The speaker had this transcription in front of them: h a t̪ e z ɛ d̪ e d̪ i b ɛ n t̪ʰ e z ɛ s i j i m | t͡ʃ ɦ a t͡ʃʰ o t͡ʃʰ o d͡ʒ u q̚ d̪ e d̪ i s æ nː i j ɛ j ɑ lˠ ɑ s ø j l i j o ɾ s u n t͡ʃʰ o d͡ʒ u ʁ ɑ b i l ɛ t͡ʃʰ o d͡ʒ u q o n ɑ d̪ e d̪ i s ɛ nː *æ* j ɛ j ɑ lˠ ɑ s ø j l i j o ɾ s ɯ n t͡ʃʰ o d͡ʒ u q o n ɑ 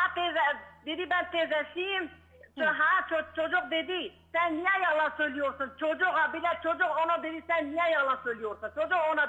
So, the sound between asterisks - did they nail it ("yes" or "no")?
no